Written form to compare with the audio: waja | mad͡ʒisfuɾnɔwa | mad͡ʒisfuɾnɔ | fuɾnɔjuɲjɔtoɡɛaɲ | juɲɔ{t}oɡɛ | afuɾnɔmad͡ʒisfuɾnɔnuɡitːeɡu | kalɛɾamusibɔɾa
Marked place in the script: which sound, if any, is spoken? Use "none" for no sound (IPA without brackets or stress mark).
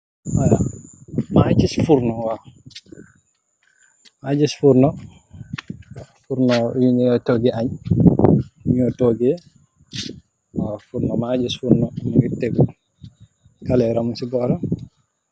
t